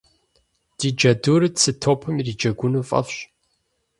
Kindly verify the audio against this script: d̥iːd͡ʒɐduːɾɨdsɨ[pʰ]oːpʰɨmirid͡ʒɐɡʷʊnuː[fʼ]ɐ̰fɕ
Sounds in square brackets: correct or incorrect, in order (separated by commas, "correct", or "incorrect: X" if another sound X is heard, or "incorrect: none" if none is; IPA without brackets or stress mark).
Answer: incorrect: tʰ, correct